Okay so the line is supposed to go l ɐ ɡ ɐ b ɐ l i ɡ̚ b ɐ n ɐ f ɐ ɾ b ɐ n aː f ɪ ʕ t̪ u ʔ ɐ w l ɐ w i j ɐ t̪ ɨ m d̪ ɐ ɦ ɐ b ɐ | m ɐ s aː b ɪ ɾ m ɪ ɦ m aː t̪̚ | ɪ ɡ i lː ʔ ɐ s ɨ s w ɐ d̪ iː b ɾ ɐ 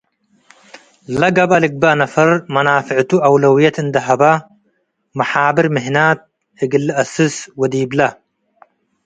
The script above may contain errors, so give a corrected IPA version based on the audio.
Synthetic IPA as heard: l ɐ ɡ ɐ b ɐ l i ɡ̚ b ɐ n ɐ f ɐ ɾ m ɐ n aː f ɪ ʕ t̪ u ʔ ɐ w l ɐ w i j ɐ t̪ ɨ n d̪ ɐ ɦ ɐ b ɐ | m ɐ ħ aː b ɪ ɾ m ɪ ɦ n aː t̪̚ | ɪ ɡ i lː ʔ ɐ s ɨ s w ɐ d̪ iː b l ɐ